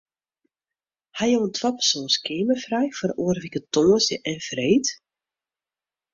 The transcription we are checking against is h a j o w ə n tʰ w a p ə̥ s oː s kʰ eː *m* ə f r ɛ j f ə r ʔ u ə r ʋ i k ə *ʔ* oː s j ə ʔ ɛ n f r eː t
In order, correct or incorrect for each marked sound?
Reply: correct, incorrect: t

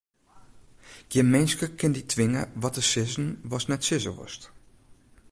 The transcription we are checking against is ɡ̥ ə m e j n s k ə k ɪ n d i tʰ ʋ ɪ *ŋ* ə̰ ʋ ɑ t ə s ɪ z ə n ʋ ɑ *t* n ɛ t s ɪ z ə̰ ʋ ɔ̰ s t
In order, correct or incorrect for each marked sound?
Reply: correct, incorrect: s

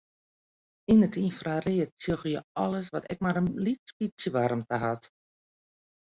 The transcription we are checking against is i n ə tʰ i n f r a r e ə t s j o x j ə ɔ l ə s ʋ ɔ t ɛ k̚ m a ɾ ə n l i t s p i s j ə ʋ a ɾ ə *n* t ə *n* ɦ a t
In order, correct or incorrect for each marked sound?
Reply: incorrect: m, incorrect: none

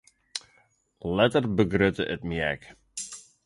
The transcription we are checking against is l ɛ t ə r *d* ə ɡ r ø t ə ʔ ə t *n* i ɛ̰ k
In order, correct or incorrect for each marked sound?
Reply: incorrect: b, incorrect: m

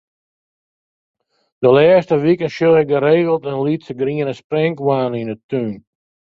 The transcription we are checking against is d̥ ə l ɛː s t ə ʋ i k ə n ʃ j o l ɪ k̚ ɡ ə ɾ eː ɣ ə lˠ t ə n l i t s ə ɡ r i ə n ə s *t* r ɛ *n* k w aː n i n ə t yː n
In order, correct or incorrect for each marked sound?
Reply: incorrect: p, incorrect: ŋ

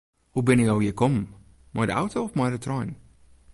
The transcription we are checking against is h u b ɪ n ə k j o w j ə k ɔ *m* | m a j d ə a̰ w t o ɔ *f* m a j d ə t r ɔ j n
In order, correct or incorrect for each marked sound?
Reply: correct, correct

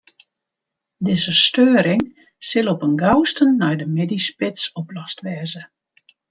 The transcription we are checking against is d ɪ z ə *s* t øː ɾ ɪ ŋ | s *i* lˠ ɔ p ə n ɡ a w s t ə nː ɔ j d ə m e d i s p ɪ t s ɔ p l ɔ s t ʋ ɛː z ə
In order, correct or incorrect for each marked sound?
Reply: correct, incorrect: ɪ

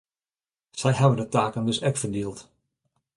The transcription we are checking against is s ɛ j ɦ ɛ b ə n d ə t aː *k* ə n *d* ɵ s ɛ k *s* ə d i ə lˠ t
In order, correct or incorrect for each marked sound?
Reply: correct, correct, incorrect: f

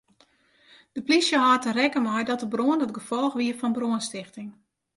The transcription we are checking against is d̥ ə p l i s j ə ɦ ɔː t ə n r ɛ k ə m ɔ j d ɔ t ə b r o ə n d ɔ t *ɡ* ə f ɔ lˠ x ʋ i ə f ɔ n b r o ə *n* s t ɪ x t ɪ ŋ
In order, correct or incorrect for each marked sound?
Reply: correct, correct

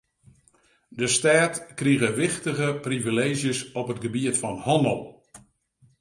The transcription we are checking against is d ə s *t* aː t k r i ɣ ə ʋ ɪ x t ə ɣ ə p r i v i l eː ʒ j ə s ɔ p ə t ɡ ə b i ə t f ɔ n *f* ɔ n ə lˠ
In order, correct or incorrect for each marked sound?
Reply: correct, incorrect: h

